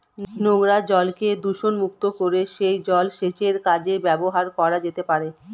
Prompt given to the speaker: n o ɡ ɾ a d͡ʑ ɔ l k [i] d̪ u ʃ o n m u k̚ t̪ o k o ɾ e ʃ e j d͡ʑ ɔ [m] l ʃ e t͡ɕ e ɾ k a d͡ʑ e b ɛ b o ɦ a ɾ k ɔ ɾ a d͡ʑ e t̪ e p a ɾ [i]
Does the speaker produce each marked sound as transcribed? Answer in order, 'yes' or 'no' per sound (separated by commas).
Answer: no, no, no